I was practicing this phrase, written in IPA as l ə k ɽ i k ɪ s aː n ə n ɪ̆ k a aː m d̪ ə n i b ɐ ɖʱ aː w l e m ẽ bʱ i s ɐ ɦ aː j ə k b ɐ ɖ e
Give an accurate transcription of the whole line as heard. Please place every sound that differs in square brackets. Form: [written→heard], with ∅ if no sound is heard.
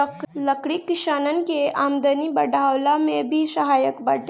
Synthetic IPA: l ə k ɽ i k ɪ [s→ʃ] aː n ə n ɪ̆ k [a→e] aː m d̪ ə n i b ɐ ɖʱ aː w l [e→a] m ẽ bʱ i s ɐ ɦ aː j ə k b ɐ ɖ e